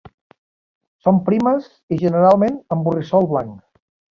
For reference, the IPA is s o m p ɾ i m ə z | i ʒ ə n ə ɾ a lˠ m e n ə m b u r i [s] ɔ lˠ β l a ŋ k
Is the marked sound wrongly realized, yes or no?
no